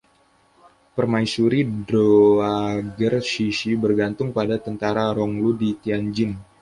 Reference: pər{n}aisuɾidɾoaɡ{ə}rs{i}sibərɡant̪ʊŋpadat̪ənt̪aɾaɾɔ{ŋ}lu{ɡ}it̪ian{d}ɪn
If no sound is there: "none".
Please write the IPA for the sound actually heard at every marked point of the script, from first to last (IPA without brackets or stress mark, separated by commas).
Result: m, ə, i, ŋ, d, d͡ʒ